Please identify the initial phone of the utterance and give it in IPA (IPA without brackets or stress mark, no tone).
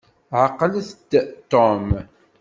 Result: ʕ